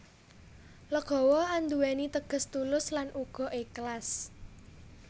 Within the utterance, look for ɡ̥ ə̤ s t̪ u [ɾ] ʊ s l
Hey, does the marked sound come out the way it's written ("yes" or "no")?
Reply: no